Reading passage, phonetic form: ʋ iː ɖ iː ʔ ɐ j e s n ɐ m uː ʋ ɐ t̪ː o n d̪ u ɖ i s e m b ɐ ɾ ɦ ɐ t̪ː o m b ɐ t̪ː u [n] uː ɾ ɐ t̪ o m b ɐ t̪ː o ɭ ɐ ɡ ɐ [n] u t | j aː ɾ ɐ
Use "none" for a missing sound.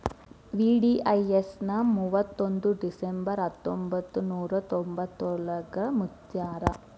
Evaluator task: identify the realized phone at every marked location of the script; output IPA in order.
n, m

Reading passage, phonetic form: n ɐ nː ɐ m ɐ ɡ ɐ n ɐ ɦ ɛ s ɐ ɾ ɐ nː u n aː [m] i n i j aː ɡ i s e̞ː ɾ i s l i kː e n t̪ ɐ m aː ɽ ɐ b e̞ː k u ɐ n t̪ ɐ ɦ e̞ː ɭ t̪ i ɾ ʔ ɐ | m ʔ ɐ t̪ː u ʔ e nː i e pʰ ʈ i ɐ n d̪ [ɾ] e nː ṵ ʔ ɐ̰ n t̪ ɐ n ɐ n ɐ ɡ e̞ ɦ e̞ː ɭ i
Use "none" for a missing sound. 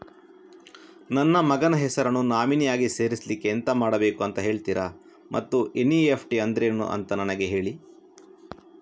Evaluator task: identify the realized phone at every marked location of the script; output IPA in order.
m, ɾ

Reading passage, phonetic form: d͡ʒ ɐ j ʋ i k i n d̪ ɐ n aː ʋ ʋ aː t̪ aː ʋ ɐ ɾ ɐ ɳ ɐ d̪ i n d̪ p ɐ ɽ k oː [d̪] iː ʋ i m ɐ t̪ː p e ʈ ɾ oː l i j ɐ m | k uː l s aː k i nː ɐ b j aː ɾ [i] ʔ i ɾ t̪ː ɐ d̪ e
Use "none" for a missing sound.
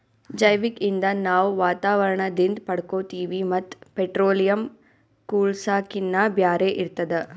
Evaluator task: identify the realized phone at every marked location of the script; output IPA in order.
t̪, e

